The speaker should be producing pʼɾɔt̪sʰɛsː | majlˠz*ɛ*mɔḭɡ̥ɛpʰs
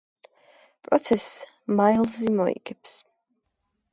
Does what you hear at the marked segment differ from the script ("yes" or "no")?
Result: yes